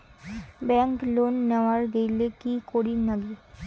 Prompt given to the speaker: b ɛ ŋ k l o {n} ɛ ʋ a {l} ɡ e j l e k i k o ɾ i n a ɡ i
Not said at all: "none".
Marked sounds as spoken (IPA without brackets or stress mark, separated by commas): nː, ɾ